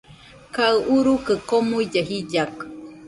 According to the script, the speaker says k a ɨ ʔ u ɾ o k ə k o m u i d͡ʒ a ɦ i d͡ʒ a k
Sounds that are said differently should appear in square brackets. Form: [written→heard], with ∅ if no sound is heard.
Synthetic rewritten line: k a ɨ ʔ u ɾ [o→u] k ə k o m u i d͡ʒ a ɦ i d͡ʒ a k